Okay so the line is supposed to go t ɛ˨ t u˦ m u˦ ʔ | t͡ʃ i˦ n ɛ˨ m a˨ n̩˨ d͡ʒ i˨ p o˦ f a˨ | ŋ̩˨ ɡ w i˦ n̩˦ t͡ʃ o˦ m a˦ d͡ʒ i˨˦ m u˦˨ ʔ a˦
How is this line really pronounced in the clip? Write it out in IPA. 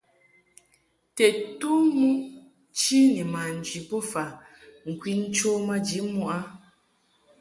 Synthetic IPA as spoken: t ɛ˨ t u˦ m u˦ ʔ | t͡ʃ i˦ n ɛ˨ m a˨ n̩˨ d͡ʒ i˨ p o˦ f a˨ | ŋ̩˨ k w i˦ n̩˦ t͡ʃ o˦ m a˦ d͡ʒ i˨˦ m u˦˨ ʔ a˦